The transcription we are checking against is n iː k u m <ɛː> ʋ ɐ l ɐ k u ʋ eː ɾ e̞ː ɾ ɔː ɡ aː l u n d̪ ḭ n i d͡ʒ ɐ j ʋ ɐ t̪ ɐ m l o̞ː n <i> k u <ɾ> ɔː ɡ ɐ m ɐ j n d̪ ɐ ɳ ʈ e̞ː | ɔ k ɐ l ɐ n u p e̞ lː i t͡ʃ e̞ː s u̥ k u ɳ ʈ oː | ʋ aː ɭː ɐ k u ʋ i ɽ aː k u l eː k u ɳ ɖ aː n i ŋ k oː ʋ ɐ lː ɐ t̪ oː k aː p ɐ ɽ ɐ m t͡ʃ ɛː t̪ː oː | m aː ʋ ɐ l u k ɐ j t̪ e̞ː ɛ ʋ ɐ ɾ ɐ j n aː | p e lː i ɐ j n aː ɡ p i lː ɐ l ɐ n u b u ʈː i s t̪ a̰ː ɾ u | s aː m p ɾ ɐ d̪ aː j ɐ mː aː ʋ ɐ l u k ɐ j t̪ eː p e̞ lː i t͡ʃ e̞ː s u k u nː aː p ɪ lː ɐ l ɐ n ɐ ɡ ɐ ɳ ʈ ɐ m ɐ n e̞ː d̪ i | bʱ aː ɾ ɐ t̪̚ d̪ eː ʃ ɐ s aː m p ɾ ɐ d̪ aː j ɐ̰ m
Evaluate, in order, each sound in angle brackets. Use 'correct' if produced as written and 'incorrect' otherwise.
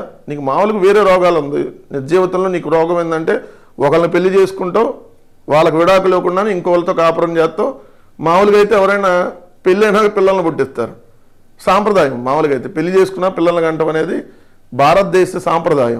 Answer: incorrect: aː, incorrect: iː, correct

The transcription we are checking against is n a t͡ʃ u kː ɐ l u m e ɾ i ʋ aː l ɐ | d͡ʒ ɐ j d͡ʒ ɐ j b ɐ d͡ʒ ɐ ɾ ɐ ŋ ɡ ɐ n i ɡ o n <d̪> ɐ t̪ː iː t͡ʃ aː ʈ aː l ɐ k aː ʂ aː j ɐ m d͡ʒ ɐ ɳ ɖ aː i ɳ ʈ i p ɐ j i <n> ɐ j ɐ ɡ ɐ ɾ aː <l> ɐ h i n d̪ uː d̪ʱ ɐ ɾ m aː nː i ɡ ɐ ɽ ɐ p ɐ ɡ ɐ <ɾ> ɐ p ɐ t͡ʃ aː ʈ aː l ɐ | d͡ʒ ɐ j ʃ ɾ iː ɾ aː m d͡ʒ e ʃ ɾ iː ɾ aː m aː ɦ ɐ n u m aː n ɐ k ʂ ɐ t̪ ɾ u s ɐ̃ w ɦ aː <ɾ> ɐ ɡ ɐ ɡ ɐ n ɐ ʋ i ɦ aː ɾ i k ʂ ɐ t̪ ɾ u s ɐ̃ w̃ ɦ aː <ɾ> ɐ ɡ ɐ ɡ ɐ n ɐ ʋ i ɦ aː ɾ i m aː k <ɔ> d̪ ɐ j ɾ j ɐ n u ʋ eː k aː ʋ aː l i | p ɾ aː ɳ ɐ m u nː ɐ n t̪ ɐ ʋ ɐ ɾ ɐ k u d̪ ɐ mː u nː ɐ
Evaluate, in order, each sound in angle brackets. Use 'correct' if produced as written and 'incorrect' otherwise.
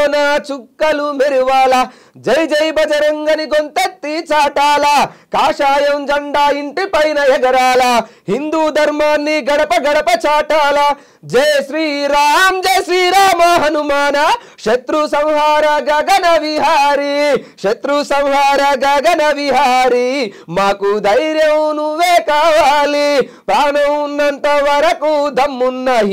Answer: incorrect: t̪, correct, correct, incorrect: ɽ, correct, correct, incorrect: u

